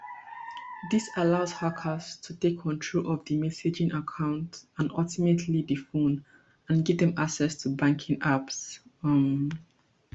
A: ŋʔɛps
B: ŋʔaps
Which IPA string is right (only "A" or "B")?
B